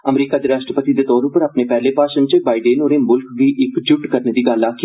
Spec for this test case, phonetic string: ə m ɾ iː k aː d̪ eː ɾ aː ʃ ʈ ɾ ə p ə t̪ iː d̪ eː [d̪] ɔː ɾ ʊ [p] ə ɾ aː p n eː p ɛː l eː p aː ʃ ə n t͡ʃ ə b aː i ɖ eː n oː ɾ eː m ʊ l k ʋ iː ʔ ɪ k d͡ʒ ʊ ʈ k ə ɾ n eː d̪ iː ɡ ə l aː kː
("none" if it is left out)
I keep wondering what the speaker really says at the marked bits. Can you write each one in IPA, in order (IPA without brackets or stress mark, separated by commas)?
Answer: t̪, p